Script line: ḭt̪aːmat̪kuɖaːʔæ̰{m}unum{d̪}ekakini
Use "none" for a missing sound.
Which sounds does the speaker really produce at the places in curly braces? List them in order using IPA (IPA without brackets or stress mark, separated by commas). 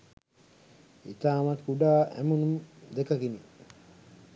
m, d̪